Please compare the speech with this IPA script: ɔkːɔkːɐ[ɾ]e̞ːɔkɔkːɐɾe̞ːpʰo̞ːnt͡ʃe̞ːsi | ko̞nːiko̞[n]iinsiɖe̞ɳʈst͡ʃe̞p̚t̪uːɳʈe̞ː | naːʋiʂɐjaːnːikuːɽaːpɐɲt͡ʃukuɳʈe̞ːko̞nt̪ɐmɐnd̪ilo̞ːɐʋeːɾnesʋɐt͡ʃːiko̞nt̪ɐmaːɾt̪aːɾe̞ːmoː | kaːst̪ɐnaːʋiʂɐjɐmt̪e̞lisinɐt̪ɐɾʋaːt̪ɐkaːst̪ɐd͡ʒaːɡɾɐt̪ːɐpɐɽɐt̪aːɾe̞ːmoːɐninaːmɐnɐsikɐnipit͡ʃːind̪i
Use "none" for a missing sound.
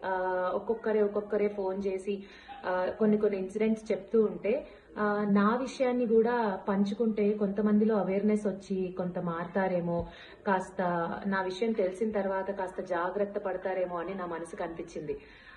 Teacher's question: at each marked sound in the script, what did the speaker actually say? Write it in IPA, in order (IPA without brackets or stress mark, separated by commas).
ɾ, nː